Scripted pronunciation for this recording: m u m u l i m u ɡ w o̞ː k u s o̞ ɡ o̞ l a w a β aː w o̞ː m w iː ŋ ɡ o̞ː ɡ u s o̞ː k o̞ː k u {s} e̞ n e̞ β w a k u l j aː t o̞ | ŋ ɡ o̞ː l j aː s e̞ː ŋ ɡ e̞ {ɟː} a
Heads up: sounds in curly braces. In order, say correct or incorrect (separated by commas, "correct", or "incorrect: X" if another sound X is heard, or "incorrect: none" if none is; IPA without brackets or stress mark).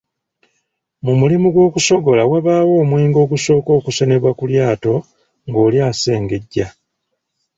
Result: correct, correct